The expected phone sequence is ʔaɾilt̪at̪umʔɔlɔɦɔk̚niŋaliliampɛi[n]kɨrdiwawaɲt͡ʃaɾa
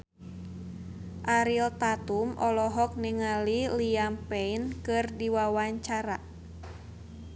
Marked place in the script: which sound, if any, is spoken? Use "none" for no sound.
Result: n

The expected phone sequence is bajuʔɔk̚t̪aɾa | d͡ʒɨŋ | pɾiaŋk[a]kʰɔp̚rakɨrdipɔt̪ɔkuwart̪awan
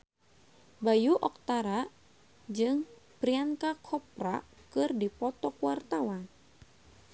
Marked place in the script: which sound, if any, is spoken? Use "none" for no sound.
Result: a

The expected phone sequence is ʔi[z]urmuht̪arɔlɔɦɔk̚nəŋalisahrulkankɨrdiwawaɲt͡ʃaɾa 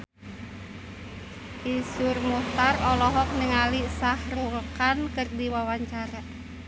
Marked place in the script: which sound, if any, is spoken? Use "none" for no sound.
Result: s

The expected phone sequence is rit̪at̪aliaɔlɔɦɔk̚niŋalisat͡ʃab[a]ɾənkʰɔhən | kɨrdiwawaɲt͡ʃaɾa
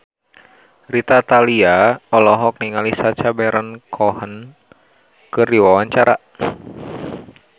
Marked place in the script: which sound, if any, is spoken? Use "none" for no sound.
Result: ɛ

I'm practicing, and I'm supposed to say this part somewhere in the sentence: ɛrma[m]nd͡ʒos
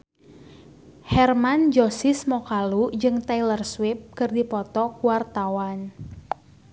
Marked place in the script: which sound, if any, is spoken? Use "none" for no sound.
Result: none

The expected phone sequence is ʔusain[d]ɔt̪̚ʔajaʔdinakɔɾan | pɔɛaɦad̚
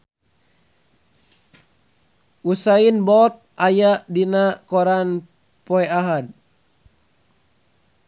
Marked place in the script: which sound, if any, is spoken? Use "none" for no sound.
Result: b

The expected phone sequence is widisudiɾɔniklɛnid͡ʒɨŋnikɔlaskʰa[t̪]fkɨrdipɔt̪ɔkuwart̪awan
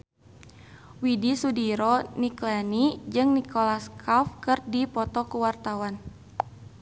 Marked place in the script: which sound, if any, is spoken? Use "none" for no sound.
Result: none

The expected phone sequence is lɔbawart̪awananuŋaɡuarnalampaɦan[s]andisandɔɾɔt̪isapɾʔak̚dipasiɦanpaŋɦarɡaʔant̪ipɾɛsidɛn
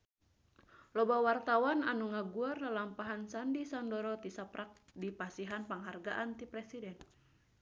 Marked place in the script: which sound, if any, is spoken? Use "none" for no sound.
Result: s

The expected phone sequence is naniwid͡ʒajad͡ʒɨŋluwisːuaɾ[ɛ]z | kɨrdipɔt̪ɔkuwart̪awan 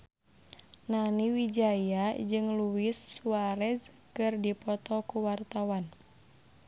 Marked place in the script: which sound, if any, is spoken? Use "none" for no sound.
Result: ɛ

